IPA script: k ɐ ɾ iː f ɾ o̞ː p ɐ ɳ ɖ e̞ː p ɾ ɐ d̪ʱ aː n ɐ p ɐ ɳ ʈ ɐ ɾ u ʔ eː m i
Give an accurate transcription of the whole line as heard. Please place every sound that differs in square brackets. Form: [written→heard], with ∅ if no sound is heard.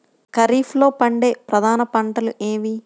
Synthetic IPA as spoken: k ɐ ɾ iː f [ɾ→l] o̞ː p ɐ ɳ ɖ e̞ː p ɾ ɐ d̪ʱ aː n ɐ p ɐ ɳ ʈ ɐ [ɾ→l] u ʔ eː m i